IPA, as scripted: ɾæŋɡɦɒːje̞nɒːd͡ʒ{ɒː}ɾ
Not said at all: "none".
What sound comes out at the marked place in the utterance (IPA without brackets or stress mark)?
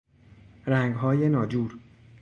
uː